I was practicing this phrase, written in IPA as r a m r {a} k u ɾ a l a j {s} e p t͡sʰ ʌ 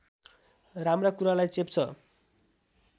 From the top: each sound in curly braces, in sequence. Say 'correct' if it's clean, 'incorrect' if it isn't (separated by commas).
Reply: correct, incorrect